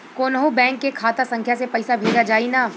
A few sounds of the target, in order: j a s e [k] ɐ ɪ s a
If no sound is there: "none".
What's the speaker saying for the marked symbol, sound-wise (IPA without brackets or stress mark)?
p